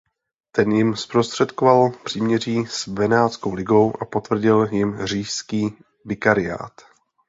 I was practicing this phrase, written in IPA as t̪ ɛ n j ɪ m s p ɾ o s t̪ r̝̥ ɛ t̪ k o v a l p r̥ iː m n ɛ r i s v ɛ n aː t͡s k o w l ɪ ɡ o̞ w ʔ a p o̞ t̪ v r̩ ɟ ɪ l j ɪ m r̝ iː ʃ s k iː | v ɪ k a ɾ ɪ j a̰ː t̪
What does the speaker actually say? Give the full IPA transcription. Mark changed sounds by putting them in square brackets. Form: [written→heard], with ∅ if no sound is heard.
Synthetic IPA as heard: t̪ ɛ n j ɪ m s p ɾ o s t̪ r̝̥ ɛ t̪ k o v a l p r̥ iː m [n→ɲ] ɛ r [i→iː] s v ɛ n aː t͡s k o w l ɪ ɡ o̞ w ʔ a p o̞ t̪ v r̩ ɟ ɪ l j ɪ m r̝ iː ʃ s k iː | v ɪ k a ɾ ɪ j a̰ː t̪